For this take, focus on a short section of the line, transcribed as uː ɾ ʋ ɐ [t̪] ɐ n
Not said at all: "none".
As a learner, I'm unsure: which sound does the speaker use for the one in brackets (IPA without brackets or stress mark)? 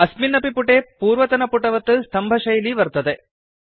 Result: t̪